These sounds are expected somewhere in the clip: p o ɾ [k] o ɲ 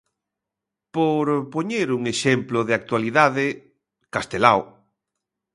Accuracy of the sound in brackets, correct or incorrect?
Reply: incorrect